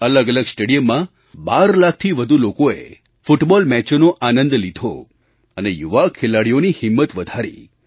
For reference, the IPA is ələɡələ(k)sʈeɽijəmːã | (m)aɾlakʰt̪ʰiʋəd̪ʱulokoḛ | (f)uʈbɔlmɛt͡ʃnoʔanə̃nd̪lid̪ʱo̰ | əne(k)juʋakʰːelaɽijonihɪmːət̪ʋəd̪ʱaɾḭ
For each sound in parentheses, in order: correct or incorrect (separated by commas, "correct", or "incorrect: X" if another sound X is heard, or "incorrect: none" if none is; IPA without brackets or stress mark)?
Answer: incorrect: ɡ, incorrect: b, correct, incorrect: none